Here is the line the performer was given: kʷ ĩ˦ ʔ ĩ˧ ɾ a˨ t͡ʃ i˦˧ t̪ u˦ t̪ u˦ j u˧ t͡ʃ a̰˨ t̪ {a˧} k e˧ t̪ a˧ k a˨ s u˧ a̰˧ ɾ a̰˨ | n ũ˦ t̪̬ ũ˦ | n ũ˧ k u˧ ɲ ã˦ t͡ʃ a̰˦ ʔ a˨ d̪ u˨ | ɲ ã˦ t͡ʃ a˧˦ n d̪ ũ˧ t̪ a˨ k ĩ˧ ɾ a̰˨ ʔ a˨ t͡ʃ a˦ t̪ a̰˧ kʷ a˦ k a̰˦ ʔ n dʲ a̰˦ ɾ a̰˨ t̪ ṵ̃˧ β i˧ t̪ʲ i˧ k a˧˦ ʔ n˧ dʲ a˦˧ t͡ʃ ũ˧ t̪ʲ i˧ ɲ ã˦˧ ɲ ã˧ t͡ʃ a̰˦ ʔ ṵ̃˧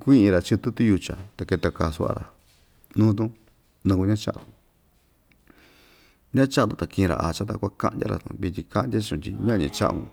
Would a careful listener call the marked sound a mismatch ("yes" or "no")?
no